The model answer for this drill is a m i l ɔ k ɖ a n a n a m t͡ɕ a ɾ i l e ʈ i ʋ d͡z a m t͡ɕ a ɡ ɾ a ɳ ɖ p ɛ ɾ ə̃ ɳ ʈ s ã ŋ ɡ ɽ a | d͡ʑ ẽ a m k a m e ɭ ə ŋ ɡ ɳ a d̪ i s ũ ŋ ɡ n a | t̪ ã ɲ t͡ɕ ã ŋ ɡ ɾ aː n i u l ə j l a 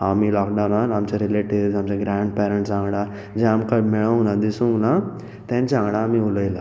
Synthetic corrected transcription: a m i l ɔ k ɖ a n a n a m t͡ɕ a ɾ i l e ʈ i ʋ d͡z a m t͡ɕ a ɡ ɾ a ɳ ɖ p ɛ ɾ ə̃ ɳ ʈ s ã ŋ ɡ ɽ a | d͡ʑ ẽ a m k a m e ɭ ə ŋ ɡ n a d̪ i s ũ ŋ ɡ n a | t̪ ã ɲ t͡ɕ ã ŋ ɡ ɽ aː m i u l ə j l a